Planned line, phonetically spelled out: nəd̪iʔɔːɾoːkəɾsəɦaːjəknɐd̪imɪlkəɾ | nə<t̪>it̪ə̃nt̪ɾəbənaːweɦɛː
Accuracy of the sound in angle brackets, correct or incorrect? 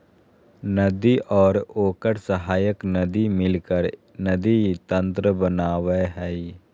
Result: incorrect